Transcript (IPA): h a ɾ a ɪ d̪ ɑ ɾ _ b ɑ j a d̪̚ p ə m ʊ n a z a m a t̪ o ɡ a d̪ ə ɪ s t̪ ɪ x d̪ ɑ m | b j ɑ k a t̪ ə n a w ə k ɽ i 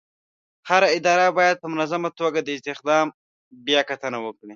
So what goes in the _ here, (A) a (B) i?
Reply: A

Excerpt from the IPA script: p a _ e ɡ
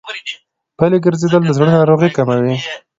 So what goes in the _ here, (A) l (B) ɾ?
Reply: A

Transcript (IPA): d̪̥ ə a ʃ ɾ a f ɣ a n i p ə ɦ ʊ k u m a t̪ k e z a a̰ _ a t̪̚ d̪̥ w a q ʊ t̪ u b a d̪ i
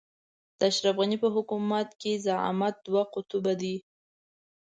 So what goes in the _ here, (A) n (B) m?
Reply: B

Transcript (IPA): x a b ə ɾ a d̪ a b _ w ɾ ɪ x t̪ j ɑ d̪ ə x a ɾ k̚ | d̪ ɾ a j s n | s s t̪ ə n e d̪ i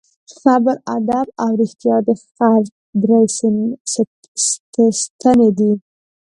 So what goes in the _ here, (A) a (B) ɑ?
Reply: A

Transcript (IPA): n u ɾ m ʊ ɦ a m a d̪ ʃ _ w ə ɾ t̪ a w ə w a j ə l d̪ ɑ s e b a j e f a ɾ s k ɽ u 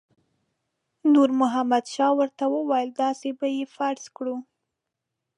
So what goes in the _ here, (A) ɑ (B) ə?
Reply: A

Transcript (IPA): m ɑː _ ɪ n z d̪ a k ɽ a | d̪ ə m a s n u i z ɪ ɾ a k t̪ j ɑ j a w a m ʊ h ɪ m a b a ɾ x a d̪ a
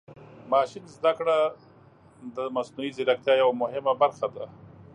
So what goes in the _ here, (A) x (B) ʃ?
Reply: B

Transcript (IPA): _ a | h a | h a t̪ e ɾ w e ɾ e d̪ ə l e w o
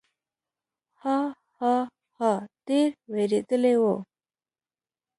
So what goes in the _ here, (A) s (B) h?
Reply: B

